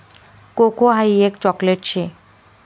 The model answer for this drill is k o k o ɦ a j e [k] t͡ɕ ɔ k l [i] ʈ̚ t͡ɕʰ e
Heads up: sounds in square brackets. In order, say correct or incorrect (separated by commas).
correct, incorrect